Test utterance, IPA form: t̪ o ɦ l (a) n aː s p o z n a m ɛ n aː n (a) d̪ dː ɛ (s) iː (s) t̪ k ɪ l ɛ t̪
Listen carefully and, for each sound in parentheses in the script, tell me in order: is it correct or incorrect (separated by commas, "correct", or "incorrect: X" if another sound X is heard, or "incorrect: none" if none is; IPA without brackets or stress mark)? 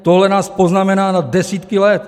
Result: incorrect: ɛ, correct, correct, incorrect: none